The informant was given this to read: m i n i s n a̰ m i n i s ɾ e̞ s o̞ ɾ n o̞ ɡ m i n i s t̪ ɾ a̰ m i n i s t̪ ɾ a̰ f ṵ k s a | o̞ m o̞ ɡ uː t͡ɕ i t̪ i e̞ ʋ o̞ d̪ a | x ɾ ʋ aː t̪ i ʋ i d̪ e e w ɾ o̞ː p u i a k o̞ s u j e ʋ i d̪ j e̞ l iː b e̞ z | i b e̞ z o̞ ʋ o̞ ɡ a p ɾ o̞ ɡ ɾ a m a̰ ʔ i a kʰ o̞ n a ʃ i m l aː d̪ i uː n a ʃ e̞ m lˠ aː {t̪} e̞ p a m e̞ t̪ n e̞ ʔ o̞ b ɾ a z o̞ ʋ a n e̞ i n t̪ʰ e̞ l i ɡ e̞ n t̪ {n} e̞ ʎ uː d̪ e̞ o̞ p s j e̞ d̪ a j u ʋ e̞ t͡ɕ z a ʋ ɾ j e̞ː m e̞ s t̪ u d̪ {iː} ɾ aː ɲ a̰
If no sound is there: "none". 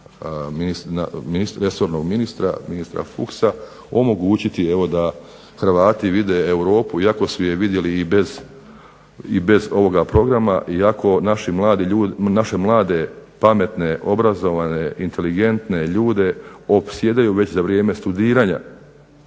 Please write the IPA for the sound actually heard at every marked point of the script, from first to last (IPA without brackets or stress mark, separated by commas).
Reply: d̪, n, iː